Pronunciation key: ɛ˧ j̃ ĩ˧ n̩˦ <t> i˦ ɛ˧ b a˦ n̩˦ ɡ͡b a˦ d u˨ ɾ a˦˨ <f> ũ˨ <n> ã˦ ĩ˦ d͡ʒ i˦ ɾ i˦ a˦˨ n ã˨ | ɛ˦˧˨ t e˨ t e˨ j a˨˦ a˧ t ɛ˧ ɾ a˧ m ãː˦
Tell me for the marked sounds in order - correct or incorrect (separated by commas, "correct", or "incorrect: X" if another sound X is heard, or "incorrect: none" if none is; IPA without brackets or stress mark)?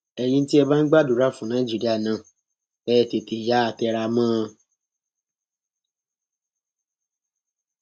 correct, correct, correct